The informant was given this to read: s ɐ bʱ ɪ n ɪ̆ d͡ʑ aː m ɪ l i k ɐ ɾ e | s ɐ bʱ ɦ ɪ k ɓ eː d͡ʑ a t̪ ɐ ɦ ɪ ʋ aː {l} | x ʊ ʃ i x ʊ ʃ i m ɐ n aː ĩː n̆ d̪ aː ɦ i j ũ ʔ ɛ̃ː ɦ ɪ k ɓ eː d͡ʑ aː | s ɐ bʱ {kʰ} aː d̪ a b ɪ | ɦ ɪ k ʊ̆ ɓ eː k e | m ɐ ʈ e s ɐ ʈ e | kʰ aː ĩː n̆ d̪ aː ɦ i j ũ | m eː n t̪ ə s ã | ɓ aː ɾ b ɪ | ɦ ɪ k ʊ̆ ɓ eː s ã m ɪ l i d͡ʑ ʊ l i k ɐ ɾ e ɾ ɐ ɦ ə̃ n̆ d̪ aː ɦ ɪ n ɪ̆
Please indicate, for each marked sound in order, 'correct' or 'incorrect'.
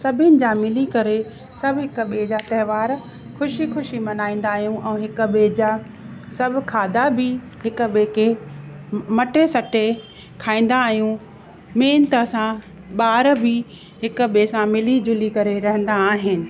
incorrect: ɾ, correct

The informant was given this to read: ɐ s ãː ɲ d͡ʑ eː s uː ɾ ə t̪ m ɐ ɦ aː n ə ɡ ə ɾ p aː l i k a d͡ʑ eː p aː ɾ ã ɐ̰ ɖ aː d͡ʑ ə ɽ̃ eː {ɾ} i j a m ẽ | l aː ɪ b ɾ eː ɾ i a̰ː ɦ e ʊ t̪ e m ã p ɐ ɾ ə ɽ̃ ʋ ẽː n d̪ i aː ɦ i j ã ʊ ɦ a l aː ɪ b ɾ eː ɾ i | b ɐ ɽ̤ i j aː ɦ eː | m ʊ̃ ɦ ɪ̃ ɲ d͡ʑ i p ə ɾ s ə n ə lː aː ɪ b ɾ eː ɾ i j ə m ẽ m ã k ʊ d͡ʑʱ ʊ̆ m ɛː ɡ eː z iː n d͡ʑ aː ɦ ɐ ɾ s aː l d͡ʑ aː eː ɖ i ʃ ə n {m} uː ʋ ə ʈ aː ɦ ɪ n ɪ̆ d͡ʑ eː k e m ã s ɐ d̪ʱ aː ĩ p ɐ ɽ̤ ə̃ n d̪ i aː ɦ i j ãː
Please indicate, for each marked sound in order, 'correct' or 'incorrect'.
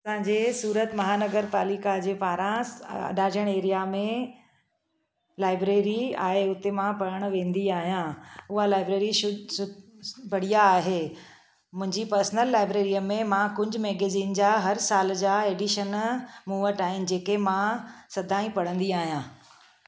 correct, correct

